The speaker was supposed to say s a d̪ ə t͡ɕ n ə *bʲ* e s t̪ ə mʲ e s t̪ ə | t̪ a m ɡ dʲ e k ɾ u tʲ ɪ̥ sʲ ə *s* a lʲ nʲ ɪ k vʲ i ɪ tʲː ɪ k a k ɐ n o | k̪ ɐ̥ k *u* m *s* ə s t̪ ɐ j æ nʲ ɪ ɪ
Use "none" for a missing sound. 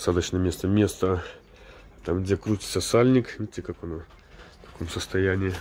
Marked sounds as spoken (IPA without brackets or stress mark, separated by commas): mʲ, s, o, s